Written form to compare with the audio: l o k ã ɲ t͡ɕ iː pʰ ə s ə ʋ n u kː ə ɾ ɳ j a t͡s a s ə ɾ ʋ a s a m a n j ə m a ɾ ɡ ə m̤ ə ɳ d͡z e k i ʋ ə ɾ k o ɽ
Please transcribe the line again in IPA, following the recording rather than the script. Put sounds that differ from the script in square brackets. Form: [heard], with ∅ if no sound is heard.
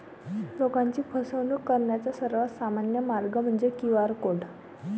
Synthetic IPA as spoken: l o k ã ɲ t͡ɕ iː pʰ ə s ə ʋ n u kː ə ɾ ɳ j a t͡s a s ə ɾ ʋ a s a m a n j ə m a ɾ ɡ ə m̤ ə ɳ d͡z e k i ʋ [a] ɾ k o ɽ